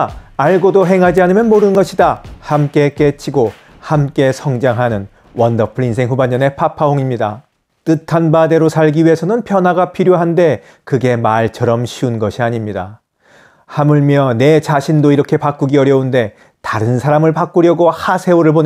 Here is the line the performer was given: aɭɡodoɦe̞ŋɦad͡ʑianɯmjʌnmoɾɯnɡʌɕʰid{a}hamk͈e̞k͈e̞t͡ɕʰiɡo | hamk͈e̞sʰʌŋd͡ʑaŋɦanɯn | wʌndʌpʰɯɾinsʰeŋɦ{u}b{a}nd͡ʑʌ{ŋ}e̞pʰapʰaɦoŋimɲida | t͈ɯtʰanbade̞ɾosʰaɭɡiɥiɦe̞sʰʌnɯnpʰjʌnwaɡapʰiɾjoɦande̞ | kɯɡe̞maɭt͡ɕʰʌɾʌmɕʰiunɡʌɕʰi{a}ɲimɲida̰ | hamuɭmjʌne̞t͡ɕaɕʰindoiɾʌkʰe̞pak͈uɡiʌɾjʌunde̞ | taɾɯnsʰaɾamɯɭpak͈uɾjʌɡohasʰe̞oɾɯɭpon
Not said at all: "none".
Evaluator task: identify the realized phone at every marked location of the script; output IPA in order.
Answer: a, u, a, n, a

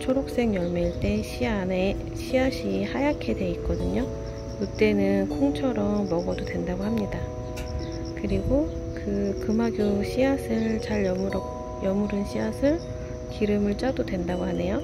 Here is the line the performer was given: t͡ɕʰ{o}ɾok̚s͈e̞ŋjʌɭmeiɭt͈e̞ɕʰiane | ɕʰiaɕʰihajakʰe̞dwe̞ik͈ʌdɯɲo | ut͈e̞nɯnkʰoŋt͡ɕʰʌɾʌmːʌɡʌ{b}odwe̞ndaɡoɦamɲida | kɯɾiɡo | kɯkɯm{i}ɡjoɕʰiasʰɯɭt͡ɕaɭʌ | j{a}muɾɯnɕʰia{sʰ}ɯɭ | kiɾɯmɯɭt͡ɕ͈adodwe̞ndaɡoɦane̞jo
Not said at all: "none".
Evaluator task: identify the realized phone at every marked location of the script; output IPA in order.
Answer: o, d, a, ʌ, sʰ

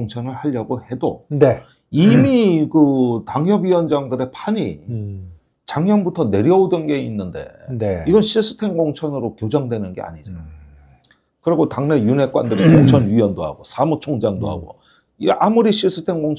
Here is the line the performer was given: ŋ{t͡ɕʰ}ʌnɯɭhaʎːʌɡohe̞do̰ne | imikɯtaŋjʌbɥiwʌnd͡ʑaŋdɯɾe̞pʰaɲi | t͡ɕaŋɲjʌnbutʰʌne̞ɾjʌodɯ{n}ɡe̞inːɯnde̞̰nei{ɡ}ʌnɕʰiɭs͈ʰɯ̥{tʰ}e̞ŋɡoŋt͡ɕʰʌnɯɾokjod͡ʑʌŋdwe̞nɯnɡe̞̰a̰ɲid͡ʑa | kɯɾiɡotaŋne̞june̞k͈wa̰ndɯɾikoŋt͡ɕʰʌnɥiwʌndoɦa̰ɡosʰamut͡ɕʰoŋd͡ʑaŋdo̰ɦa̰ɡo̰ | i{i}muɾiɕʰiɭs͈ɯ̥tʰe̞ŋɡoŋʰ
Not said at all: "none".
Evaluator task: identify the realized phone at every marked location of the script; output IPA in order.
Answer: t͡ɕʰ, n, ɡ, tʰ, a

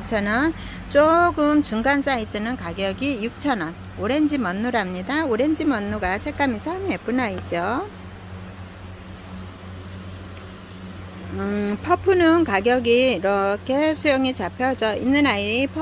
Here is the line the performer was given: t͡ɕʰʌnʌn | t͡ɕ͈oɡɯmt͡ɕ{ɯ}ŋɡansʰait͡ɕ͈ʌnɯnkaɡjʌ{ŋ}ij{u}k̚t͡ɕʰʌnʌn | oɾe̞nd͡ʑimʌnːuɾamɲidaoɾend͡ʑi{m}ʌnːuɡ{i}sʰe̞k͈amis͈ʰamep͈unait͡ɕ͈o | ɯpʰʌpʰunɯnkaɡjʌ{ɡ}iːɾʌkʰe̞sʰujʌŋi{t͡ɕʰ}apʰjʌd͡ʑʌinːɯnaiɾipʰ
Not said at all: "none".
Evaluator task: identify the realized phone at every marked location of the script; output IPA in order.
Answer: u, ɡ, u, m, a, ɡ, t͡ɕ

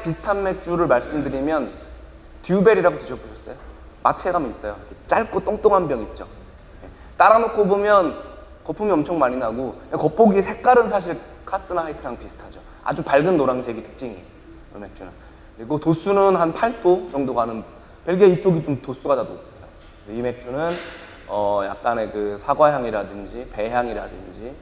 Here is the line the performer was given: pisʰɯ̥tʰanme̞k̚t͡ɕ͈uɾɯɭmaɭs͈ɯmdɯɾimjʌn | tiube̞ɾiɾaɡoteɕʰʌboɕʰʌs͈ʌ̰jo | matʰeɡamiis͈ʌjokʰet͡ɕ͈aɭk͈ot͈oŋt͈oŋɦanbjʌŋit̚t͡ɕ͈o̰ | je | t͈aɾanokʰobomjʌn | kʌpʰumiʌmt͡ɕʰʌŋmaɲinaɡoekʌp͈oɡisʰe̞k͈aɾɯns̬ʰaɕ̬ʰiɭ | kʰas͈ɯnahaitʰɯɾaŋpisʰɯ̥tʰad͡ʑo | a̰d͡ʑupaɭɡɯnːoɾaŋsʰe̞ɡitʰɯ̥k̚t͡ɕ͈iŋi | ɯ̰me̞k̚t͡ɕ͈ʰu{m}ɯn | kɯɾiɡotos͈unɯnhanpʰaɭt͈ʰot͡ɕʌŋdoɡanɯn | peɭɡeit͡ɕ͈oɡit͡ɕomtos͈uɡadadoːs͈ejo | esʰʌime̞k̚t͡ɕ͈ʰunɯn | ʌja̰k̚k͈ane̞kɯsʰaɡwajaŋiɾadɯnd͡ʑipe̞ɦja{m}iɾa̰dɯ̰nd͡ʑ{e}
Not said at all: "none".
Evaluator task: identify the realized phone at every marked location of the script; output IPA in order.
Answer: n, ŋ, i

